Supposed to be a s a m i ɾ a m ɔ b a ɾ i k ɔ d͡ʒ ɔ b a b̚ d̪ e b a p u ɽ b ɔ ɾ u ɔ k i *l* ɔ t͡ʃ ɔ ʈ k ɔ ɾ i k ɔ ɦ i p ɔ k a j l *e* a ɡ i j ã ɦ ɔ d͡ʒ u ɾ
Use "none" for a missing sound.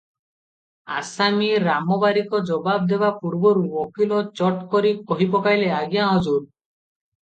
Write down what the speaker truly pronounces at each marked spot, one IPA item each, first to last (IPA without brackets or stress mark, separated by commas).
l, e